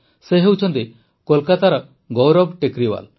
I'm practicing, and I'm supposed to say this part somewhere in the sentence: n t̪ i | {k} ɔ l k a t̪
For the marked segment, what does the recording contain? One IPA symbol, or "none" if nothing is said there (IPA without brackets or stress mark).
k